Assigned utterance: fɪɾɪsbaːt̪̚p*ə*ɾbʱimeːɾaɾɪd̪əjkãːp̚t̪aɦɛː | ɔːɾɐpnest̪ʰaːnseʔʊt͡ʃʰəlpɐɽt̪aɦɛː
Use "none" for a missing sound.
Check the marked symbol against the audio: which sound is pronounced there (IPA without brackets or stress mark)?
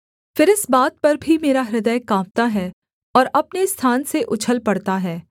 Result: ɐ